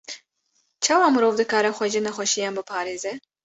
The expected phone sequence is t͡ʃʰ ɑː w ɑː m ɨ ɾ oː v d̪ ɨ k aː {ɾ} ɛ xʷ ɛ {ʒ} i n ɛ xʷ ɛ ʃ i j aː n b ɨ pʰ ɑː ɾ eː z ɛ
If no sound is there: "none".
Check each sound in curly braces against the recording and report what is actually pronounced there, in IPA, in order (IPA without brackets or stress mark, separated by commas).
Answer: ɾ, ʒ